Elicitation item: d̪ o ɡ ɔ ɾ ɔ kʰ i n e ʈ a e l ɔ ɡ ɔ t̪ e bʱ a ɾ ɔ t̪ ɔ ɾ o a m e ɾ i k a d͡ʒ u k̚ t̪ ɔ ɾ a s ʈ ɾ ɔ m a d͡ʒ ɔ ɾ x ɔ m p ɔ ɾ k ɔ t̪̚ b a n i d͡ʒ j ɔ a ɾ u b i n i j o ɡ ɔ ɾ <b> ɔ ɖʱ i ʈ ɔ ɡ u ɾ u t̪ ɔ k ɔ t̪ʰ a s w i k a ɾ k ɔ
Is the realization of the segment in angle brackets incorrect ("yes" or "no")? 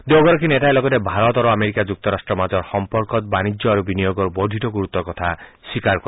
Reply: no